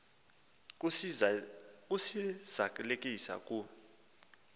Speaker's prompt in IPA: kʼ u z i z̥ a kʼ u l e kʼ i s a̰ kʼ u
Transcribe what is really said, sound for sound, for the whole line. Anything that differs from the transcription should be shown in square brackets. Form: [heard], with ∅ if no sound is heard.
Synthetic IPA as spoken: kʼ u [s] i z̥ a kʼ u l e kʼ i s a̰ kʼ u